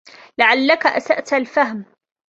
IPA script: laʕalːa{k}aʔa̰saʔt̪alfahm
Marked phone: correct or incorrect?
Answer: correct